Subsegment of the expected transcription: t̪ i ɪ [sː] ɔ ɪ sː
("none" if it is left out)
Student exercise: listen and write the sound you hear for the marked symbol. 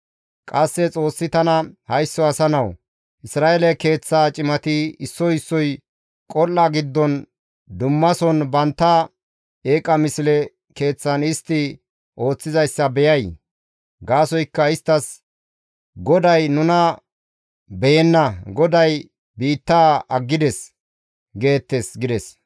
sː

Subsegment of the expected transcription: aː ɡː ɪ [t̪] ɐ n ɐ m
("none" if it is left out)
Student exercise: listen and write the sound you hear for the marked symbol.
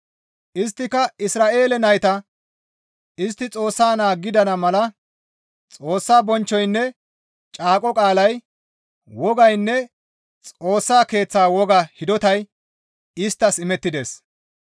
d̪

